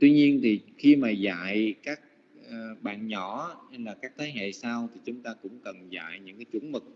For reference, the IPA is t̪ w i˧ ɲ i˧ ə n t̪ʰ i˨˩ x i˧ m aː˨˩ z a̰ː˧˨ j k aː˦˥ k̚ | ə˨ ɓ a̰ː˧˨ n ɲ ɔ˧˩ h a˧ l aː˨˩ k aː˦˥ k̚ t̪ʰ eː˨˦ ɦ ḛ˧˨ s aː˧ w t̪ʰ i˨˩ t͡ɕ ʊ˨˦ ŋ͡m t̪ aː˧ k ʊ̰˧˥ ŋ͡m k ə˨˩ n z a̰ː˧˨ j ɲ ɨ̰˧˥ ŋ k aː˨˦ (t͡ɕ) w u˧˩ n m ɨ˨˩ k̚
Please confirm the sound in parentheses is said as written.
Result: yes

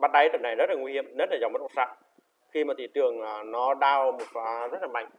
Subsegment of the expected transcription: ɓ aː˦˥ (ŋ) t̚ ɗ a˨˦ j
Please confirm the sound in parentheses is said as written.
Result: no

